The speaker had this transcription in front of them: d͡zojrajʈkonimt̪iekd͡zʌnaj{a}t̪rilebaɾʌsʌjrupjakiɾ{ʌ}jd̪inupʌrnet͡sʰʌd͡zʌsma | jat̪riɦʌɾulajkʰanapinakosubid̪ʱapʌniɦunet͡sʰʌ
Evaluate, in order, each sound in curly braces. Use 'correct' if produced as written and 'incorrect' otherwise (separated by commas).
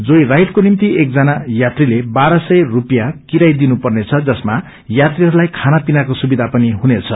correct, incorrect